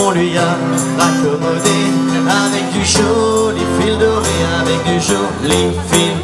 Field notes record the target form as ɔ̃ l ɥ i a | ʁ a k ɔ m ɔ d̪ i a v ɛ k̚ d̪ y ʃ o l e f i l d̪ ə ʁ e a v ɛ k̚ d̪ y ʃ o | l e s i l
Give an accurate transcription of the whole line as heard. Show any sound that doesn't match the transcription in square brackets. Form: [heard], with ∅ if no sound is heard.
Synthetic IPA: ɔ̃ l ɥ i a | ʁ a k ɔ m ɔ d̪ [e] a v ɛ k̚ d̪ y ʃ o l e f i l d̪ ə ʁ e a v ɛ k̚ d̪ y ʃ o | l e [f] i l